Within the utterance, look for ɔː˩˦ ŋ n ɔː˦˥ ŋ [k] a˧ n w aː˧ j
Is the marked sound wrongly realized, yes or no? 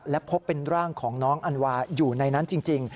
yes